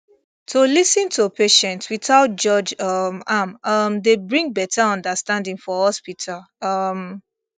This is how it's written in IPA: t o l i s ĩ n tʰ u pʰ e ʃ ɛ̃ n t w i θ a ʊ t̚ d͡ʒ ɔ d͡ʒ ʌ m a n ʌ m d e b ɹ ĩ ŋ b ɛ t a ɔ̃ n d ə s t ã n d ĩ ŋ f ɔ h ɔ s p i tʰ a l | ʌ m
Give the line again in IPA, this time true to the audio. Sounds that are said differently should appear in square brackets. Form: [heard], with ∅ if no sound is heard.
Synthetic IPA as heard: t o l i s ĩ n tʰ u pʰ e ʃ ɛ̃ n t w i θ a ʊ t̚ d͡ʒ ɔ d͡ʒ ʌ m a [m] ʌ m d e b ɹ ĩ ŋ b ɛ t a ɔ̃ n d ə s t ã n d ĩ ŋ f ɔ h ɔ s p i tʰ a l | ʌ m